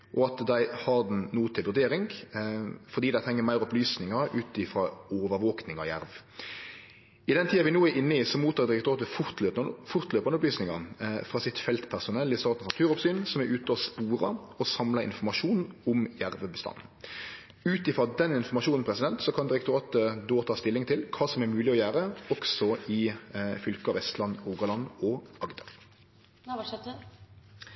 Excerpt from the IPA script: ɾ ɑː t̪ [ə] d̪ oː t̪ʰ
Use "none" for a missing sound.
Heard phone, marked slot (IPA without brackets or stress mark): ə